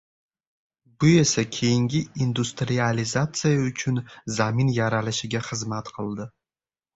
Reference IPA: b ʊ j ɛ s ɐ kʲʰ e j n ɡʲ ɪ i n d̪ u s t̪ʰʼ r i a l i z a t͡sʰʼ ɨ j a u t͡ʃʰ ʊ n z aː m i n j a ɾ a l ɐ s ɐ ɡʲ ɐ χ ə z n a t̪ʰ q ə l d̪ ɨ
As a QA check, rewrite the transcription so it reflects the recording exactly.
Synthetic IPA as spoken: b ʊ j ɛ s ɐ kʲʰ e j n ɡʲ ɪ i n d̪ u s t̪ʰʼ r i a l i z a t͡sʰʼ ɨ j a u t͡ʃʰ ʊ n z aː m i n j a ɾ a l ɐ ʃ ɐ ɡʲ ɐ χ ə z m a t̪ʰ q ə l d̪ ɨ